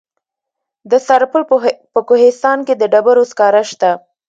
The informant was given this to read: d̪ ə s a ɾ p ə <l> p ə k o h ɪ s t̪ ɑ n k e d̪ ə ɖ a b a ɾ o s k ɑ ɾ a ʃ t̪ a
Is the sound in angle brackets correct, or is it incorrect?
correct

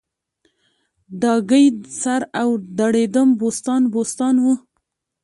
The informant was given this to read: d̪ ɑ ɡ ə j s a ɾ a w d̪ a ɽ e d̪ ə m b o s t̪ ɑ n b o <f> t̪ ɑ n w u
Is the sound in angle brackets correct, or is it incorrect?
incorrect: s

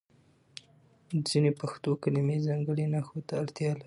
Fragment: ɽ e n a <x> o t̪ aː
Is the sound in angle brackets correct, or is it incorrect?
correct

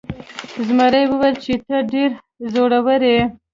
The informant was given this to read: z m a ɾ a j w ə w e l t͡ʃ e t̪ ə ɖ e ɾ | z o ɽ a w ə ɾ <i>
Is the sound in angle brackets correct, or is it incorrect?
incorrect: e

